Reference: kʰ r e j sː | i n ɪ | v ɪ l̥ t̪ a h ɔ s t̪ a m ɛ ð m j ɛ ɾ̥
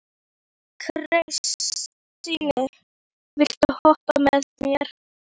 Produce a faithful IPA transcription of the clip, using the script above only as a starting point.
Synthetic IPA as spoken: kʰ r e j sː | i n ɪ | v ɪ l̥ t̪ a h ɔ h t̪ a m ɛ ð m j ɛ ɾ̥